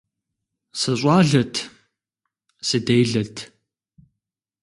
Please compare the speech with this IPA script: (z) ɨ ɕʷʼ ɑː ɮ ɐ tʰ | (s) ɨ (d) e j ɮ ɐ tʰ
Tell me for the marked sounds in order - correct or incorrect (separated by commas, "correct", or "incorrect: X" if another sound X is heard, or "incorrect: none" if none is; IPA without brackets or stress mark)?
incorrect: s, correct, correct